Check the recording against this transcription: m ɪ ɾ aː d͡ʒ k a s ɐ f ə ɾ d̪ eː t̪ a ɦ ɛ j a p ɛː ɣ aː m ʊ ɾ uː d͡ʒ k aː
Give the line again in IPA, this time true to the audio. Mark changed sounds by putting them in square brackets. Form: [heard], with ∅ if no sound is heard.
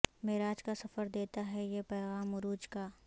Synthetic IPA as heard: m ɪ ɾ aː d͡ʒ k a s ɐ f ə ɾ d̪ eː t̪ a ɦ ɛ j [e] p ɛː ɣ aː m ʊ ɾ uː d͡ʒ k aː